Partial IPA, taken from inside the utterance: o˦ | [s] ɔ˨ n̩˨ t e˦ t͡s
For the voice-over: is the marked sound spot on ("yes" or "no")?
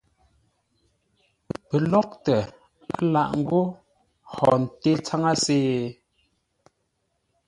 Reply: no